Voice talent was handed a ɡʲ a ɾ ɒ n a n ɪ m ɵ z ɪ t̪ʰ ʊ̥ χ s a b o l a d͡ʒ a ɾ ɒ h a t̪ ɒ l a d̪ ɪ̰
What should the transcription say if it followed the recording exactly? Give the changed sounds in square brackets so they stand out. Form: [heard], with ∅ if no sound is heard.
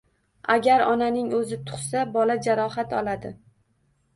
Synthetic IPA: a ɡʲ a ɾ ɒ n a n ɪ [ŋ] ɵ z ɪ t̪ʰ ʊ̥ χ s a b [ɒ] l a d͡ʒ a ɾ ɒ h a t̪ ɒ l a d̪ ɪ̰